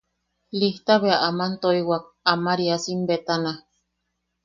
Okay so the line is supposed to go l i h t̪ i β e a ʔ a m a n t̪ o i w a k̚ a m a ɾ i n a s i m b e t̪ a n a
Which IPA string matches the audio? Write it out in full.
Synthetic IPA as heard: l i h t̪ a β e a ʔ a m a n t̪ o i w a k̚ a m a ɾ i a s i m b e t̪ a n a

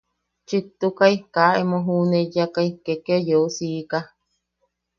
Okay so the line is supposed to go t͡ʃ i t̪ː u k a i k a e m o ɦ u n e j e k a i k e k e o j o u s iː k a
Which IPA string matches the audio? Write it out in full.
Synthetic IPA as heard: t͡ʃ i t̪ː u k a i k a e m o ɦ u n e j a k a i k e k e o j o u s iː k a

